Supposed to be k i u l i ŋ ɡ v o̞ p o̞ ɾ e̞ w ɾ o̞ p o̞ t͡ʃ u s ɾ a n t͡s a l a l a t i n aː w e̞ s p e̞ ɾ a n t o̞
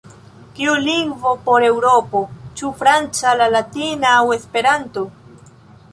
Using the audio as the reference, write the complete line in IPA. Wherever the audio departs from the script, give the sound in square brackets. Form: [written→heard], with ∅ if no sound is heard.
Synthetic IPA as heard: k i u l i ŋ ɡ v o̞ p o̞ ɾ e̞ w ɾ o̞ p o̞ t͡ʃ u [s→f] ɾ a n t͡s a l a l a t i n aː w e̞ s p e̞ ɾ a n t o̞